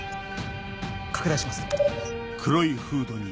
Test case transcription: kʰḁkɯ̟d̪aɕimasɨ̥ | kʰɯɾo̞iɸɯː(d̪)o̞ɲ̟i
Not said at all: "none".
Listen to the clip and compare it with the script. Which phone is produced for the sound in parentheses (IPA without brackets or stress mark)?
d̪